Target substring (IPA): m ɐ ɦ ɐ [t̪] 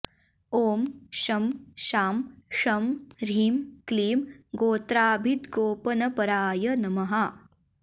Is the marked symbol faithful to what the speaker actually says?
no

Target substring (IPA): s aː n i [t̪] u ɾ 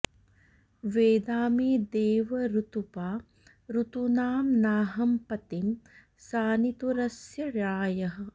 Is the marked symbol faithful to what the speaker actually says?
yes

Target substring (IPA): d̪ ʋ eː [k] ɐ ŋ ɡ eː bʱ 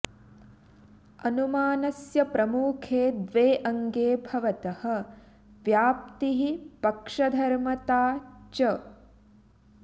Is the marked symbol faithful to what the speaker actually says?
no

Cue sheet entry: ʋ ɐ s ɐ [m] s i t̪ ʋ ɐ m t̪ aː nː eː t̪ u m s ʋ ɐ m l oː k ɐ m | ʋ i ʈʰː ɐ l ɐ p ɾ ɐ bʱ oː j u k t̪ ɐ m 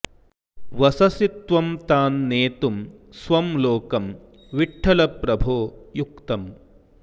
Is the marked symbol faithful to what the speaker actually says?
no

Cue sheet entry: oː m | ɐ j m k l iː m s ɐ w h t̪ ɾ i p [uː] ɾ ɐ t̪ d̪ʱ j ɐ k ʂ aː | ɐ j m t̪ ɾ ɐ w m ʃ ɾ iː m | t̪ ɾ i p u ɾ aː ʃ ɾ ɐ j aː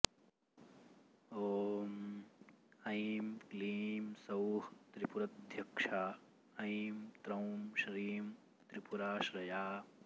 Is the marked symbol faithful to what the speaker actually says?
no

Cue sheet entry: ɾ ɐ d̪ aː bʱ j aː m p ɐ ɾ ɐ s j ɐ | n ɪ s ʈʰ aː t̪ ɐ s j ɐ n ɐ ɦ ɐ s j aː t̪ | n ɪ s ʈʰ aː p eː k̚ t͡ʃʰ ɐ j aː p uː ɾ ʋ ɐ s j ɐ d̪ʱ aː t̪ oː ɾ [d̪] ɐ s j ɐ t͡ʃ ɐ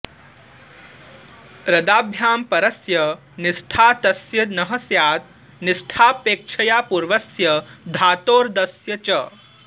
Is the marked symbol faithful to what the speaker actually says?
yes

